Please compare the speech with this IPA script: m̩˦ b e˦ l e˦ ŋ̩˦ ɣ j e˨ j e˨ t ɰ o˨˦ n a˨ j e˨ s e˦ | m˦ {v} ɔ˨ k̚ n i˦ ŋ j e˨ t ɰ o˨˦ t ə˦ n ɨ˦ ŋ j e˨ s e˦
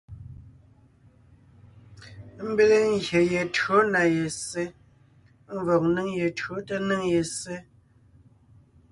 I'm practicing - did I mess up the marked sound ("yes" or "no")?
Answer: no